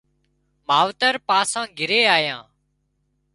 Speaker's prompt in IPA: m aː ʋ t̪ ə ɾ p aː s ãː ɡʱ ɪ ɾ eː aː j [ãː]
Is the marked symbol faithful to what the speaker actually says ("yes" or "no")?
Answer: yes